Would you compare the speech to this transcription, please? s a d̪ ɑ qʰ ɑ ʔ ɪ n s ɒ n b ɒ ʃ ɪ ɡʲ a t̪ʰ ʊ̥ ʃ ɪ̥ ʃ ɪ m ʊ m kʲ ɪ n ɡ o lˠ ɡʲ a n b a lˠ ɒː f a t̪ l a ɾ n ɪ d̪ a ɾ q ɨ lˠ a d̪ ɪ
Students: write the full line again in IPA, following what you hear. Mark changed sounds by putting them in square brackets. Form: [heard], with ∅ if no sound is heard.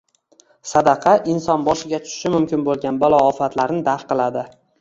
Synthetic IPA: s a d̪ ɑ qʰ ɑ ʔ ɪ n s ɒ n b ɒ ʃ ɪ ɡʲ a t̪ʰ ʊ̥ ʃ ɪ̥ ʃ ɪ m ʊ m kʲ ɪ n [b] o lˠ ɡʲ a n b a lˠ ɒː f a t̪ l a ɾ n ɪ d̪ a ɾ q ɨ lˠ a d̪ ɪ